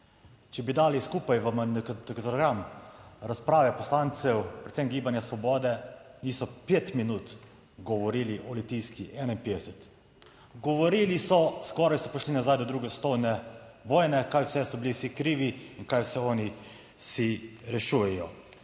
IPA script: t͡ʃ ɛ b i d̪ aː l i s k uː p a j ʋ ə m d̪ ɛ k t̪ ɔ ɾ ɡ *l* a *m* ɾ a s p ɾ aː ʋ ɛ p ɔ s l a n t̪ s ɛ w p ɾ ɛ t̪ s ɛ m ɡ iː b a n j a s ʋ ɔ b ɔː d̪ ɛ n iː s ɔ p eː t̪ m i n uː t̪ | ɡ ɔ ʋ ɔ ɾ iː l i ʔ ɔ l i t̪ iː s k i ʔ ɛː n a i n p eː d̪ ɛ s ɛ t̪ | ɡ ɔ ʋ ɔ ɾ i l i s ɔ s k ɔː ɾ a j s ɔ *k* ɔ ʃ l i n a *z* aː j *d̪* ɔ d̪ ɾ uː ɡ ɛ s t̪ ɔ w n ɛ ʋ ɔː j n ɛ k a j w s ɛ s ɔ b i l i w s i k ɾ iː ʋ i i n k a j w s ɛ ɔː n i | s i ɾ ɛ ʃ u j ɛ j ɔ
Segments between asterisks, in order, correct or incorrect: incorrect, correct, incorrect, correct, correct

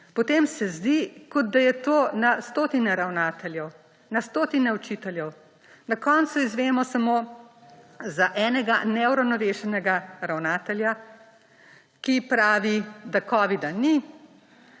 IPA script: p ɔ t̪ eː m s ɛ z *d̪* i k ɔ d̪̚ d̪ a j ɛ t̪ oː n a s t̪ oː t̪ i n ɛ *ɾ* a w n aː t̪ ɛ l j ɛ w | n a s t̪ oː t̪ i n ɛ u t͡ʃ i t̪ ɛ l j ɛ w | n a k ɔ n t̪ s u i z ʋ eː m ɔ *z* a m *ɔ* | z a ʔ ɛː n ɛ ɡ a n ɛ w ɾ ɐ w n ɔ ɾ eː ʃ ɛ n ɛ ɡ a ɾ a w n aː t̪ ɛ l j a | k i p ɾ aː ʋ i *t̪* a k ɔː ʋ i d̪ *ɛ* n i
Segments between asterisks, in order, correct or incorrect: correct, correct, incorrect, incorrect, incorrect, incorrect

